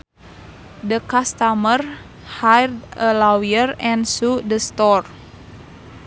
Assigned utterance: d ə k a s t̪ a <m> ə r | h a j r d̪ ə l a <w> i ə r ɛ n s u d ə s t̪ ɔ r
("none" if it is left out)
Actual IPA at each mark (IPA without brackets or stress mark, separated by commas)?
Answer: m, w